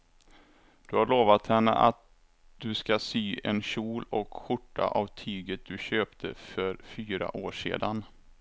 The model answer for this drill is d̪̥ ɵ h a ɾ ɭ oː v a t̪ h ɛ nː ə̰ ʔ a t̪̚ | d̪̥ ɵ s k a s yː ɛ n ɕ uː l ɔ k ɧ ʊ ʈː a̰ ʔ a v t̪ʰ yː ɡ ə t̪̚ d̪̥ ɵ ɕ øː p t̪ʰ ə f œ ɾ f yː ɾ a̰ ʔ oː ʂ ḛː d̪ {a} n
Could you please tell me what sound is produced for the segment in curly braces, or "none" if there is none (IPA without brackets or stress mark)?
a